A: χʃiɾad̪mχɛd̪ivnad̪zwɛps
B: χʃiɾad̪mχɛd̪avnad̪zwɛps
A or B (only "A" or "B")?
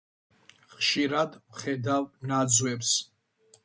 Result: B